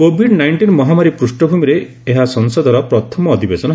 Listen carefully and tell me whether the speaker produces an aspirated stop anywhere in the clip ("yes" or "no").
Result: yes